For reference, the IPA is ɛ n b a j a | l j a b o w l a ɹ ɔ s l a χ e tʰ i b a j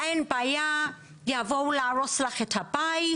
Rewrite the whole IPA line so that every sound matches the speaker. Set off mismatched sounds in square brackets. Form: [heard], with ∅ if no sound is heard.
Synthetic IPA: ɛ n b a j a | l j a [v] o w l a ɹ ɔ s l a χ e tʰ [a] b a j

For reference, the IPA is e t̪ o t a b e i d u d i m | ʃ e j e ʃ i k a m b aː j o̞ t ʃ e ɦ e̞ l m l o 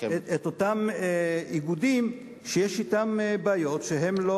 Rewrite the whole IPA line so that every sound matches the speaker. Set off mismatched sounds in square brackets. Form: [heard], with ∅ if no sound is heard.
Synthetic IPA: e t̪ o t a [m] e i [ɡ] u d i m | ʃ e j e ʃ i [t] a m b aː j o̞ t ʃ e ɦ e̞ [∅] m l o

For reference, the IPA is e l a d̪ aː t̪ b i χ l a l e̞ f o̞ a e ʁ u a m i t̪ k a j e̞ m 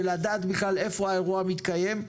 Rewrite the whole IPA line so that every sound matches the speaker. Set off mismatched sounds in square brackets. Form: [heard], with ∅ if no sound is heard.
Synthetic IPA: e l a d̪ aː t̪ b i χ l a l e̞ f o̞ a e ʁ u a m i t̪ k a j e̞ m

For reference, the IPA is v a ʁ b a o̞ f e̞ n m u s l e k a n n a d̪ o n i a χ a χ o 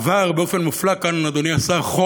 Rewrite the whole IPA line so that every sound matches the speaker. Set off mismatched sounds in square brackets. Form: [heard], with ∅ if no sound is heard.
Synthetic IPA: v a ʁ b [e] o̞ f e̞ n m u [f] l [a] k a n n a d̪ o n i a [s] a χ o

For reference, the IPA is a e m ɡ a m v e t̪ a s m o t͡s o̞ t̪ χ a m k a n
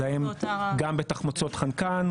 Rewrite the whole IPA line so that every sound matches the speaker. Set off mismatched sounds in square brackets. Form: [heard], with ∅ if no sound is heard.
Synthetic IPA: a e m ɡ a m [b] e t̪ a [χ] m o t͡s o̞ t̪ χ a [n] k a n

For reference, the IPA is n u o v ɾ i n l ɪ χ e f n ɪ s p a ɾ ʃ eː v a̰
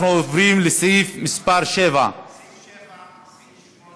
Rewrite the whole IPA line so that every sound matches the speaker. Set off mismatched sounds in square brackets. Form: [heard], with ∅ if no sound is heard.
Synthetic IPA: n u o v ɾ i [m] l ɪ [s] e f [m] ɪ s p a ɾ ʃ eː v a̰

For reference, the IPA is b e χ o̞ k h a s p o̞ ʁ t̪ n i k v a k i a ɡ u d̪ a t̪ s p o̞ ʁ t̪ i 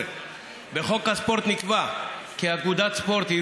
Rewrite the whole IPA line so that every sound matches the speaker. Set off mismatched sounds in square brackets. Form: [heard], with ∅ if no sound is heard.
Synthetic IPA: b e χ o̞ k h a s p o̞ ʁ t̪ n i k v a k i a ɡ u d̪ a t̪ s p o̞ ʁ t̪ i

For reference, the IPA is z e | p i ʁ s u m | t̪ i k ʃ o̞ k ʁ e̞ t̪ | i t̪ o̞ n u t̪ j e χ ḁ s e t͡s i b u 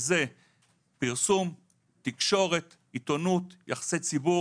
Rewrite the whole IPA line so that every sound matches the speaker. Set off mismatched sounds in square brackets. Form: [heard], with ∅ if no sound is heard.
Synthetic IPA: z e | p i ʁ s u m | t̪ i k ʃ o̞ [∅] ʁ e̞ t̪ | i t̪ o̞ n u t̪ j [a] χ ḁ s e t͡s i b u

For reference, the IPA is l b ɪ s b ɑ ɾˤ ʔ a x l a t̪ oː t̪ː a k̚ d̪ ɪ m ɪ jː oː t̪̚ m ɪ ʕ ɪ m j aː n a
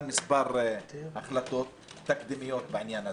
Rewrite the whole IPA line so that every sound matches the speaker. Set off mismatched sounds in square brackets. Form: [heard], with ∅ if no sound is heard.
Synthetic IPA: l [m] ɪ s b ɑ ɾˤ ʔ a x l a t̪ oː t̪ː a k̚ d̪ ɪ m ɪ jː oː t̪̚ [b] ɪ ʕ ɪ [n] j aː n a

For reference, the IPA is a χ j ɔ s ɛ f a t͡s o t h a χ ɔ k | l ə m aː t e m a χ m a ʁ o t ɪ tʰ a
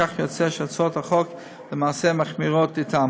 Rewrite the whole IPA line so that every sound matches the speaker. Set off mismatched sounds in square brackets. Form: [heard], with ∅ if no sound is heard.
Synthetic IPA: a χ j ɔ [t͡s] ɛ [ʃ] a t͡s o t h a χ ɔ k | l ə m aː [s] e m a χ m [i] ʁ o t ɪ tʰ a

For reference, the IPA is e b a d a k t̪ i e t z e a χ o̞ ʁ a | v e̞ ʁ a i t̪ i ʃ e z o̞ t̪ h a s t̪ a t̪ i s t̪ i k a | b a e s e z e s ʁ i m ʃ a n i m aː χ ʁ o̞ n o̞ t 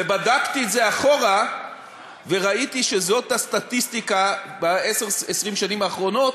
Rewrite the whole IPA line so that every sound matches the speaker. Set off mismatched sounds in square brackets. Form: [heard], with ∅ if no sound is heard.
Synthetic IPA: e b a d a k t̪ i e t z e a χ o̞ ʁ a | v e̞ ʁ a i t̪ i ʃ e z o̞ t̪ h a s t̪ a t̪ i s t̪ i k a | b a e s e [ʁ] e s ʁ i m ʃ a n i m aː χ ʁ o̞ n o̞ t

